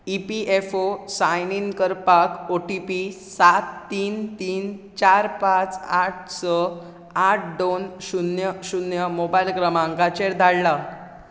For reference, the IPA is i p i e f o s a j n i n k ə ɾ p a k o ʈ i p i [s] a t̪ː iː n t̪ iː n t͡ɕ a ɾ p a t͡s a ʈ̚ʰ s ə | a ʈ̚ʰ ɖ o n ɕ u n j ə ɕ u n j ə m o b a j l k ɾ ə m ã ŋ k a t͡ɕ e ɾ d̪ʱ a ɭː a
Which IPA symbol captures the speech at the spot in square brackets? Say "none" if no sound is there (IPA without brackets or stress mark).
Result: s